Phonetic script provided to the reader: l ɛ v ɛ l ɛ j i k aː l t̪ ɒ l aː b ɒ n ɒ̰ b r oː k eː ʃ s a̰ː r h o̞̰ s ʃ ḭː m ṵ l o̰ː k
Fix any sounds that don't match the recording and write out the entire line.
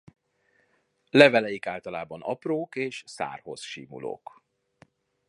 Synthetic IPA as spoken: l ɛ v ɛ l ɛ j i k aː l t̪ ɒ l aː b ɒ n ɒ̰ p r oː k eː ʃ s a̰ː r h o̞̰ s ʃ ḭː m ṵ l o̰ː k